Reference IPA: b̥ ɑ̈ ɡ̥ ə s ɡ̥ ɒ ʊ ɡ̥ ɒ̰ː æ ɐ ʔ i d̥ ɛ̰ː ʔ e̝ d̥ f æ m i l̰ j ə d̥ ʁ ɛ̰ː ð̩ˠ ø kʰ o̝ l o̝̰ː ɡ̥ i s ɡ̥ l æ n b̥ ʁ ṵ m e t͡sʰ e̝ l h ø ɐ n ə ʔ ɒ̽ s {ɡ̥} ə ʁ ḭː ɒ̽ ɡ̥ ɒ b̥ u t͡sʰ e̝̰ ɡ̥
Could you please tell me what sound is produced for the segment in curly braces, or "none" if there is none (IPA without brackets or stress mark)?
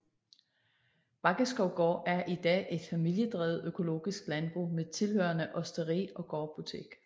d̥